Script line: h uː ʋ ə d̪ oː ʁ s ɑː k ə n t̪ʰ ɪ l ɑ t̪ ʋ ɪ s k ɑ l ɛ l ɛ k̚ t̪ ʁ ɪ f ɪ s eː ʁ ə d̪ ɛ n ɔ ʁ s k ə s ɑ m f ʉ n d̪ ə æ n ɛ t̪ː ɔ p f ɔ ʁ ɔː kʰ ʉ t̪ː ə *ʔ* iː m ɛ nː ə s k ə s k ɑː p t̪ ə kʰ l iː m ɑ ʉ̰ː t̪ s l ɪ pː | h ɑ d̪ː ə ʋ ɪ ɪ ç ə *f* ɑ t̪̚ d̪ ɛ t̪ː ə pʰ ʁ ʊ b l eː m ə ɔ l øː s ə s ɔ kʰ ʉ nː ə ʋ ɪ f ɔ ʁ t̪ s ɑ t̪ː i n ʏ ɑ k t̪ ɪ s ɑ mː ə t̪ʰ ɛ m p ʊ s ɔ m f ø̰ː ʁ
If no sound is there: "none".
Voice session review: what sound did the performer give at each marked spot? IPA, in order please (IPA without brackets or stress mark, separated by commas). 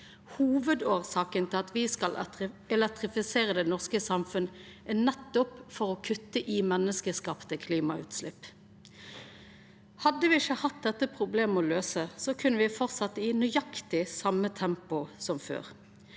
ʔ, h